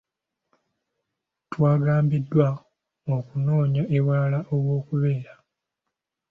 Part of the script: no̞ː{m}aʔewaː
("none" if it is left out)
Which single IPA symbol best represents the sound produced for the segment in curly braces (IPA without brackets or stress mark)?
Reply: ɲ